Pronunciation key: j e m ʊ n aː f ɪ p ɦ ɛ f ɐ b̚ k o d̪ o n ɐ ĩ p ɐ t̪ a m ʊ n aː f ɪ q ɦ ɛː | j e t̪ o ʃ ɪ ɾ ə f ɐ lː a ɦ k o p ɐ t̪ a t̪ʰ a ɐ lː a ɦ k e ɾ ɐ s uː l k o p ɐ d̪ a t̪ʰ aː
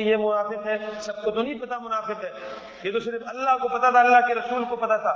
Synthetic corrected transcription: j e m ʊ n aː f ɪ q ɦ ɛ s ɐ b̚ k o t̪ o n ɐ ĩ p ɐ t̪ a m ʊ n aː f ɪ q ɦ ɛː | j e t̪ o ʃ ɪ ɾ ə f ɐ lː a ɦ k o p ɐ t̪ a t̪ʰ a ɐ lː a ɦ k e ɾ ɐ s uː l k o p ɐ t̪ a t̪ʰ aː